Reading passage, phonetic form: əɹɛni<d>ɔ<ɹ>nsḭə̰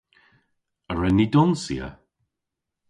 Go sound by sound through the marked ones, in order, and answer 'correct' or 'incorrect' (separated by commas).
correct, incorrect